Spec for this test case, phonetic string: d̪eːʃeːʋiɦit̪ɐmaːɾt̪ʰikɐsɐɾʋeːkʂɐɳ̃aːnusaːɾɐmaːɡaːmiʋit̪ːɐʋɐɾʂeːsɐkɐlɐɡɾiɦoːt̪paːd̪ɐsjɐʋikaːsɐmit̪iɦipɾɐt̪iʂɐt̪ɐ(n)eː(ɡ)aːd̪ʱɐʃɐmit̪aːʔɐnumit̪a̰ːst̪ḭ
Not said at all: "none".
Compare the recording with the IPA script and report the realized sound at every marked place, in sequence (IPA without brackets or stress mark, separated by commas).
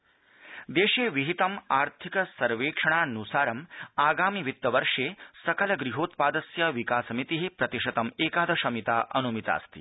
m, k